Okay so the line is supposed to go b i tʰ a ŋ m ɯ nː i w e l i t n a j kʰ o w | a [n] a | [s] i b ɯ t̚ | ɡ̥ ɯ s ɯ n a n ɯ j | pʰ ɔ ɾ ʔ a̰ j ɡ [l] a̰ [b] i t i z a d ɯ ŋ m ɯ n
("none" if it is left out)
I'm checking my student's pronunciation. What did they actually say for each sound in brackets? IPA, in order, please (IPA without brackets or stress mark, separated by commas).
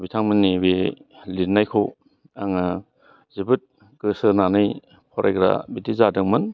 ŋ, z, ɾ, b